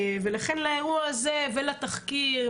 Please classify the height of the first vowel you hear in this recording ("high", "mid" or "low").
mid